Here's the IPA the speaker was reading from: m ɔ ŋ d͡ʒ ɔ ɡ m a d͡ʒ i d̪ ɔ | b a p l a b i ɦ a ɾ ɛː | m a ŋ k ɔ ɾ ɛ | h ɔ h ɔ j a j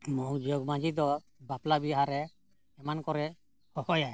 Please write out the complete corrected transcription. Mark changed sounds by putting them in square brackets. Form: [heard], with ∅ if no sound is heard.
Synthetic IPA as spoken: m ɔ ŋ d͡ʒ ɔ ɡ m a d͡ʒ i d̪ ɔ | b a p l a b i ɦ a ɾ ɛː | m a [n] k ɔ ɾ ɛ | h ɔ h ɔ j a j